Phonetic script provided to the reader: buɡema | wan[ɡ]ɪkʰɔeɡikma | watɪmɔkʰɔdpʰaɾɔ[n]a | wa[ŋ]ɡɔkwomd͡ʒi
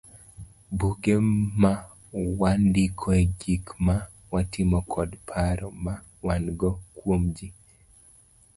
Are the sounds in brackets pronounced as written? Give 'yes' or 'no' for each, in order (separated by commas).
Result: no, no, no